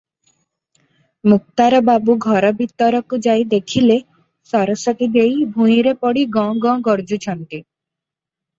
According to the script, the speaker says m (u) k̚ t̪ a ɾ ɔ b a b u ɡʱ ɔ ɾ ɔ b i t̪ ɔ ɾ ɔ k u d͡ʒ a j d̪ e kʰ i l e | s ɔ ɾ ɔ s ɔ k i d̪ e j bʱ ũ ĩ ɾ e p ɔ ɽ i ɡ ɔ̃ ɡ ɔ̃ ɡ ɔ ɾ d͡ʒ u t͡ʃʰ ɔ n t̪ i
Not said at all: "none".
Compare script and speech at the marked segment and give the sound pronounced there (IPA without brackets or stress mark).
u